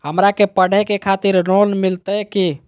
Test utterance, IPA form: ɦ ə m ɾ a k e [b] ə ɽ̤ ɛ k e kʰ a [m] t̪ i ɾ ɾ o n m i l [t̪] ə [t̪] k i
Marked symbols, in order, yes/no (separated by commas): no, no, yes, no